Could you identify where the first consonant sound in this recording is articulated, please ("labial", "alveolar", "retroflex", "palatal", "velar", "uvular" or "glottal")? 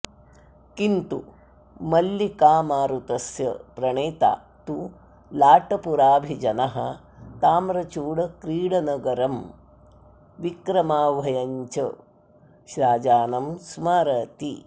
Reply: velar